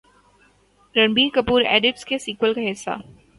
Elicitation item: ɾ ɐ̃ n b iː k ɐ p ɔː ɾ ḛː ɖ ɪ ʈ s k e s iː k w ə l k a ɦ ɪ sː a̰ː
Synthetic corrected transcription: ɾ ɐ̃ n b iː k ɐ p uː ɾ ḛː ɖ ɪ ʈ s k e s iː k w ə l k a ɦ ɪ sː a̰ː